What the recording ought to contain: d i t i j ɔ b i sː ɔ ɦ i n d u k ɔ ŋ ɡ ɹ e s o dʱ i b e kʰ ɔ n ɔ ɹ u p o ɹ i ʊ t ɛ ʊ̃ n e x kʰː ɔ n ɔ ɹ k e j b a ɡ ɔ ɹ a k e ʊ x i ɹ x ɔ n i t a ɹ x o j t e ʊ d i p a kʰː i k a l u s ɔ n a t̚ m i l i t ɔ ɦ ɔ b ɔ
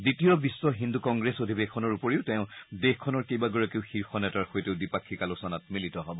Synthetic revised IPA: d i t i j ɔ b i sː ɔ ɦ i n d u k ɔ ŋ ɡ ɹ e s o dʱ i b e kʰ ɔ n ɔ ɹ u p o ɹ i ʊ t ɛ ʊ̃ d e x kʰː ɔ n ɔ ɹ k e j b a ɡ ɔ ɹ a k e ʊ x i ɹ x ɔ n ɛ t a ɹ x o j t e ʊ d i p a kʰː i k a l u s ɔ n a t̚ m i l i t ɔ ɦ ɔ b ɔ